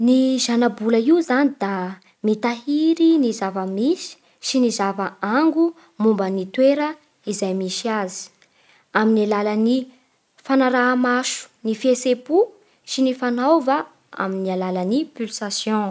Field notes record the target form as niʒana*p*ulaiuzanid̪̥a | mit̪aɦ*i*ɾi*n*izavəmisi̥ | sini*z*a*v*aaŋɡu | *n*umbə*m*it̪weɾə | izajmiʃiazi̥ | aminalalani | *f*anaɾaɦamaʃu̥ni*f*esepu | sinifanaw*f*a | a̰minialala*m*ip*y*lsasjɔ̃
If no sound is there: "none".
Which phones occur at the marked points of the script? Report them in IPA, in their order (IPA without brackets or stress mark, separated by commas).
b, i, n, z, v, m, n, f, f, v, n, y